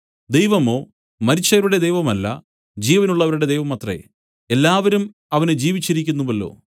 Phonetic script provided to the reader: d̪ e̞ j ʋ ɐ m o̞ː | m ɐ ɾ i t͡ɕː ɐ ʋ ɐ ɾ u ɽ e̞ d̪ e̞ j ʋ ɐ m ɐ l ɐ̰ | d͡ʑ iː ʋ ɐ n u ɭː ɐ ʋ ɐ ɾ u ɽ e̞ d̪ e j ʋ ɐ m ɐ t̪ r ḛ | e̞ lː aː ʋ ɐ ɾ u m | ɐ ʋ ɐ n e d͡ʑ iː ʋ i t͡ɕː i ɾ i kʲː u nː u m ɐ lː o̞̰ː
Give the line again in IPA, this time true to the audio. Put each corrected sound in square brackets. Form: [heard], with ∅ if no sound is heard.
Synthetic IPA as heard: d̪ e̞ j ʋ ɐ m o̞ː | m ɐ ɾ i t͡ɕː ɐ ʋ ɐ ɾ u ɽ e̞ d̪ e̞ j ʋ ɐ m ɐ [lː] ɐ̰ | d͡ʑ iː ʋ ɐ n u ɭː ɐ ʋ ɐ ɾ u ɽ e̞ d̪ e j ʋ ɐ m ɐ t̪ r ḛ | e̞ lː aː ʋ ɐ ɾ u m | ɐ ʋ ɐ n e d͡ʑ iː ʋ i t͡ɕː i ɾ i kʲː u nː u m ɐ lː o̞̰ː

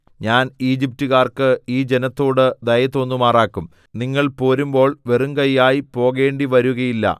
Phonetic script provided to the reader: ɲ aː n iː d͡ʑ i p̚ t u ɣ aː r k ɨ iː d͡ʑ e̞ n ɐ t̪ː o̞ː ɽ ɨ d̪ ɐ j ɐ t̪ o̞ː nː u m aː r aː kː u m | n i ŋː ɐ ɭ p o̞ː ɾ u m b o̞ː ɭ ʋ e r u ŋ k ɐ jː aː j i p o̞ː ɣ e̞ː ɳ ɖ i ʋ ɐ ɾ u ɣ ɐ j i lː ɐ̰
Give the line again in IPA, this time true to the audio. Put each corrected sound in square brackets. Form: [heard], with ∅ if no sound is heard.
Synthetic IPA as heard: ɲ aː n iː d͡ʑ i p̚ t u ɣ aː r k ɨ iː d͡ʑ e̞ n ɐ t̪ː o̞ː ɽ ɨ d̪ ɐ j ɐ t̪ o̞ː nː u m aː r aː kː u m | n i ŋː ɐ ɭ p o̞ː ɾ u m b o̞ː ɭ ʋ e r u ŋ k ɐ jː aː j i p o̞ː ɣ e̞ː ɳ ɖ i ʋ ɐ ɾ u ɣ ɐ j i lː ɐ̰

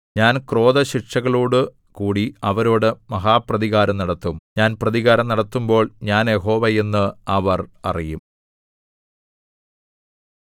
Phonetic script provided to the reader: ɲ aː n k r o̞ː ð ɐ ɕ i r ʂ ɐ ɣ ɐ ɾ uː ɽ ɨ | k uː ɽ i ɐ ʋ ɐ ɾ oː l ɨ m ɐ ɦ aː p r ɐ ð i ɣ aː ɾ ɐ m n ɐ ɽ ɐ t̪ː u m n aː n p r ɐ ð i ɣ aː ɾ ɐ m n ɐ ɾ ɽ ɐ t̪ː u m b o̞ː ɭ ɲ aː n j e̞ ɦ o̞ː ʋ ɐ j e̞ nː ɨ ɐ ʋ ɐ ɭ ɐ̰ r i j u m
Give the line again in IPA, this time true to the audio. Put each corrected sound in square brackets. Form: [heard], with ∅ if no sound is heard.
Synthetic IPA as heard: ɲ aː n k r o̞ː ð ɐ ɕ i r ʂ ɐ ɣ ɐ [ɭ] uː ɽ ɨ | k uː ɽ i ɐ ʋ ɐ ɾ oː [ɽ] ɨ m ɐ ɦ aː p r ɐ ð i ɣ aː ɾ ɐ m n ɐ ɽ ɐ t̪ː u m [ɲ] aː n p r ɐ ð i ɣ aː ɾ ɐ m n ɐ [∅] ɽ ɐ t̪ː u m b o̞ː ɭ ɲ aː n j e̞ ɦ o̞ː ʋ ɐ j e̞ nː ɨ ɐ ʋ ɐ [r] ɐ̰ r i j u m

